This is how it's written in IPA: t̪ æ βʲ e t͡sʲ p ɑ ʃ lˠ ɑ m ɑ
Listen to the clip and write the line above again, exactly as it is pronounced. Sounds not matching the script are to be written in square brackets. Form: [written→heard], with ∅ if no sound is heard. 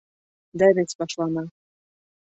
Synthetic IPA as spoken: [t̪→d̪] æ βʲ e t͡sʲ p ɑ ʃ lˠ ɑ [m→n] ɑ